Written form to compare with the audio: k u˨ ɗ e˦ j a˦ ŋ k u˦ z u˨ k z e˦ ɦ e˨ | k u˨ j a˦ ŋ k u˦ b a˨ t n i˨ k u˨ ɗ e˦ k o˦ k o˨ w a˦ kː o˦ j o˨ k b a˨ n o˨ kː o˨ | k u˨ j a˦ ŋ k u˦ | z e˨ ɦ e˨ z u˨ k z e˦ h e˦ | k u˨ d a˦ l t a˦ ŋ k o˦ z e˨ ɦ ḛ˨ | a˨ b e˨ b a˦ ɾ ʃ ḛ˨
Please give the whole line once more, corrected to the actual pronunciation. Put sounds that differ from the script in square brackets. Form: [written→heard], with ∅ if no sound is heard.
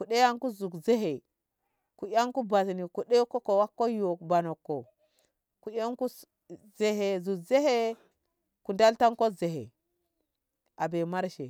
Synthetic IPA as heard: k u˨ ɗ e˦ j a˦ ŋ k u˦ z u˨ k z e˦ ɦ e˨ | k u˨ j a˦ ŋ k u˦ b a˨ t n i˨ k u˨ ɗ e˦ k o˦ k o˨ w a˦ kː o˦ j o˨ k b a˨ n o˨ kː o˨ | k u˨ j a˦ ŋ k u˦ | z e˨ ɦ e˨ z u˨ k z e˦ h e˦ | k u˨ d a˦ l t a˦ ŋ k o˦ z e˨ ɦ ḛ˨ | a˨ b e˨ [b→m] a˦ ɾ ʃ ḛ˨